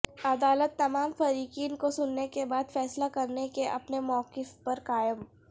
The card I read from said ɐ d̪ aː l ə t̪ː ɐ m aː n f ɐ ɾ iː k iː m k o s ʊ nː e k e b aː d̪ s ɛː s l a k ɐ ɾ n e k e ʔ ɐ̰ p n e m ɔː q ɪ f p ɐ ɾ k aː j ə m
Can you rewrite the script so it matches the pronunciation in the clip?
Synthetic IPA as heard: ɐ d̪ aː l ə t̪ː ɐ m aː m f ɐ ɾ iː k iː n k o s ʊ nː e k e b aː d̪ f ɛː s l a k ɐ ɾ n e k e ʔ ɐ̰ p n e m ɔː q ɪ f p ɐ ɾ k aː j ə m